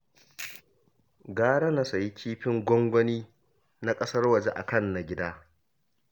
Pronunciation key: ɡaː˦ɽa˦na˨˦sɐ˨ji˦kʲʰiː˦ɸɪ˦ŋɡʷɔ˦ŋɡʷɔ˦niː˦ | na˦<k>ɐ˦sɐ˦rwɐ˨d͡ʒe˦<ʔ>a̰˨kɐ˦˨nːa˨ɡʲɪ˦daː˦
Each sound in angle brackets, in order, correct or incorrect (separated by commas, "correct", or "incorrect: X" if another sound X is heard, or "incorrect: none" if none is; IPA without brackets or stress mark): incorrect: kʼ, correct